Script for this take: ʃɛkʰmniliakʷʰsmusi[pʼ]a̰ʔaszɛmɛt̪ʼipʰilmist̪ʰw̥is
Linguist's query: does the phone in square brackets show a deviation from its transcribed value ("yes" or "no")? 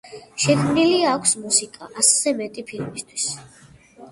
yes